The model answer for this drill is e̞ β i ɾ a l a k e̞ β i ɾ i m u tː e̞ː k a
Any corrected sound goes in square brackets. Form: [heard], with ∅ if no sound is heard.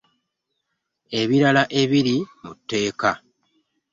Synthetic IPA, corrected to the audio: e̞ β i ɾ a l a [ʔ] e̞ β i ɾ i m u tː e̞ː k a